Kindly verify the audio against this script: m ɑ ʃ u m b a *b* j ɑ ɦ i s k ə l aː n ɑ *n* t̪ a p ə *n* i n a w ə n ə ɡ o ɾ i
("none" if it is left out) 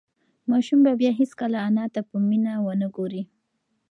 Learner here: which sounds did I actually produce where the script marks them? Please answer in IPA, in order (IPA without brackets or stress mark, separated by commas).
b, none, m